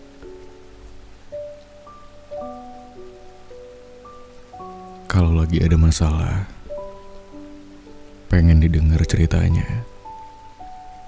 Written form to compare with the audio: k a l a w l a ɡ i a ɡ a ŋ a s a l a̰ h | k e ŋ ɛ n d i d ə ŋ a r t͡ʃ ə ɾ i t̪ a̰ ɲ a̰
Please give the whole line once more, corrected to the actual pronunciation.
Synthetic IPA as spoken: k a l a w l a ɡ i a d a m a s a l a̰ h | p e ŋ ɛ n d i d ə ŋ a r t͡ʃ ə ɾ i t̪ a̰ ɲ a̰